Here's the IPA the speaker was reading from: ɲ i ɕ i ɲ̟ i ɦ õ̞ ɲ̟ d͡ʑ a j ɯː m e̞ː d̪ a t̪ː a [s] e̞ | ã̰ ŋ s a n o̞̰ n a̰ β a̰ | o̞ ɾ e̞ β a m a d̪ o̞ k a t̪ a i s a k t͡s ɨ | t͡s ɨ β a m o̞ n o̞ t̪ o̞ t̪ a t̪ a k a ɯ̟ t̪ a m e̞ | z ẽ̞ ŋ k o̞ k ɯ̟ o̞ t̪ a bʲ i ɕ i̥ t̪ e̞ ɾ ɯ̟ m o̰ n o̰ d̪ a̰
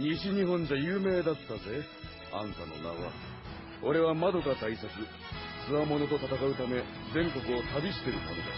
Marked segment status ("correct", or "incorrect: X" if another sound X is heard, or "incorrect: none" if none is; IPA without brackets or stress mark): incorrect: z